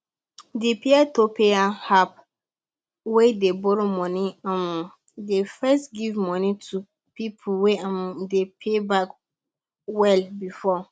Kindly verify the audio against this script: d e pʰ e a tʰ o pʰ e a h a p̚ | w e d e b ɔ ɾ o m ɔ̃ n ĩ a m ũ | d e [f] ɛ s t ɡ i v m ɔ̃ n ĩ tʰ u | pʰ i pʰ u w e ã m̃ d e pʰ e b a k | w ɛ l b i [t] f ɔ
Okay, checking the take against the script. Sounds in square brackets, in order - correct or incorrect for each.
correct, incorrect: none

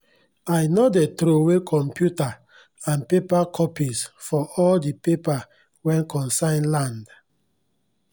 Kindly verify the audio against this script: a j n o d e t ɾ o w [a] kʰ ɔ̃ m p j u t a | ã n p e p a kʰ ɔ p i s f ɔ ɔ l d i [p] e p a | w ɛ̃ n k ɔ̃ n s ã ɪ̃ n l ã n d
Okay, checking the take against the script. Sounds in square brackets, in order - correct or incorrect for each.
incorrect: e, correct

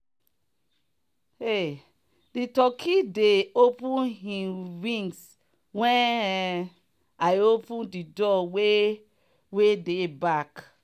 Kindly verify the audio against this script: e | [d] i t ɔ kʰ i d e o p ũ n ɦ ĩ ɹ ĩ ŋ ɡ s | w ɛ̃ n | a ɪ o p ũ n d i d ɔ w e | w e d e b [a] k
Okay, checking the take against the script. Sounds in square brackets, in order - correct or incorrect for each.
correct, correct

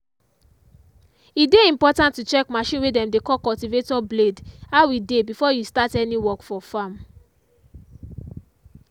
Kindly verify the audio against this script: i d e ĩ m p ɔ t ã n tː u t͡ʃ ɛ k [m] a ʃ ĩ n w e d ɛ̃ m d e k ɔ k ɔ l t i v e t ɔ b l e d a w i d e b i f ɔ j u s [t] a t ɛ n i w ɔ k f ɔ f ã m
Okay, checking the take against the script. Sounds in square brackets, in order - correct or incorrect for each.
correct, correct

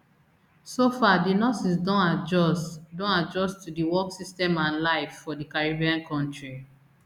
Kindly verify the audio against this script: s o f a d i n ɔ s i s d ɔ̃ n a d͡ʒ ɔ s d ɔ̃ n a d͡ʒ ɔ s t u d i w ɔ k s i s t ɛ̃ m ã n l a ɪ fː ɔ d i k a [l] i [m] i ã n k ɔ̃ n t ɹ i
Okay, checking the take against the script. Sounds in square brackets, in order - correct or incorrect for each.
incorrect: ɹ, incorrect: b

